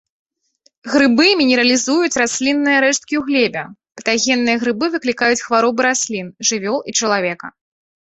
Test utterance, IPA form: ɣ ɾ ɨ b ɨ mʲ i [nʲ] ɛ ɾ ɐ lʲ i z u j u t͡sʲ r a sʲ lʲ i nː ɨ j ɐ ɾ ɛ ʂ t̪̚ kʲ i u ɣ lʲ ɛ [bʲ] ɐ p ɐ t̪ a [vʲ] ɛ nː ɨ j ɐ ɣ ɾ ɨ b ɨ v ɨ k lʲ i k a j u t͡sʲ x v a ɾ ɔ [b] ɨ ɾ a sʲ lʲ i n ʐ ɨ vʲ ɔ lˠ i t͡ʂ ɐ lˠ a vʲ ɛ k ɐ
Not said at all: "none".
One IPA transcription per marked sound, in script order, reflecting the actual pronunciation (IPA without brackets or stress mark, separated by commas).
nʲ, bʲ, ɣʲ, b